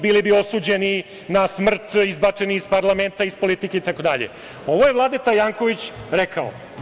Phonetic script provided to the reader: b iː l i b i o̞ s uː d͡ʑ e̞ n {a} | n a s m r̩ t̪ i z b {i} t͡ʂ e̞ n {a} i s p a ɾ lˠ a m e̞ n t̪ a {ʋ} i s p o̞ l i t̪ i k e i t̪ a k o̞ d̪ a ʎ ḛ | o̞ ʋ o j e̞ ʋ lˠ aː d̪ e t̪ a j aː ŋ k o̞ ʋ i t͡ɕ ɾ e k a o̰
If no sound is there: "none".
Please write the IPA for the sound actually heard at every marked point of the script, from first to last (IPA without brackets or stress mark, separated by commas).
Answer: i, a, i, none